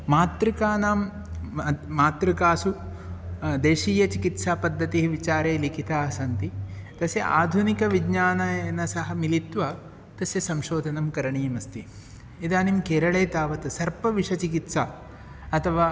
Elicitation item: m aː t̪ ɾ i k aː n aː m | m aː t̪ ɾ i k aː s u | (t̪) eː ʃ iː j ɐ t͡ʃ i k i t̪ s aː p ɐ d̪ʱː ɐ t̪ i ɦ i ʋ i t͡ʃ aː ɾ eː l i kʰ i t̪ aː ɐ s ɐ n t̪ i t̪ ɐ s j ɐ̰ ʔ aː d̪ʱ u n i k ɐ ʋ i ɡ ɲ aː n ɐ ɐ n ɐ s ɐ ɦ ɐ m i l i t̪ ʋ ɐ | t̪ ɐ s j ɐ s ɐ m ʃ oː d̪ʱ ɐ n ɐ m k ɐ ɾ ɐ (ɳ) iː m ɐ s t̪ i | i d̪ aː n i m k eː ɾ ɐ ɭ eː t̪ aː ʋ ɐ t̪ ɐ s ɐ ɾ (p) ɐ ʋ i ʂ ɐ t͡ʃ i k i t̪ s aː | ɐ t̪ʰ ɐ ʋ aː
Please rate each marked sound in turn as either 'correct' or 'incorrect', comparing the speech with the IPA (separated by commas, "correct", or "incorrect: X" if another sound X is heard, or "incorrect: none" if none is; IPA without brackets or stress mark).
incorrect: d̪, correct, correct